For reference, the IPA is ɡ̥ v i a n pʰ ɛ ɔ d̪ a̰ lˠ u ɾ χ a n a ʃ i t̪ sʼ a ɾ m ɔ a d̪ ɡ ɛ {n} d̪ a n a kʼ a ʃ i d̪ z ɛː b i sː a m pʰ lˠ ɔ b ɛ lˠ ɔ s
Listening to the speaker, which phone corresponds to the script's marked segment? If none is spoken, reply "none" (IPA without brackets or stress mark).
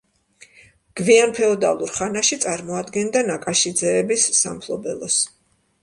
n